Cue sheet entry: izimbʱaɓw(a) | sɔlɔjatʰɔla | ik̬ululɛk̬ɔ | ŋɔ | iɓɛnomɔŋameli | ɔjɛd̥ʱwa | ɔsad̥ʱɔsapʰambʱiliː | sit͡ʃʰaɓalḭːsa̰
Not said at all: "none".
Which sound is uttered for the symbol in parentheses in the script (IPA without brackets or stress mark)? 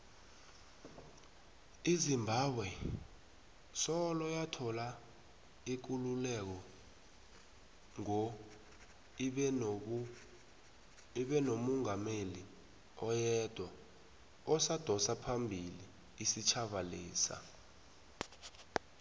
ɛ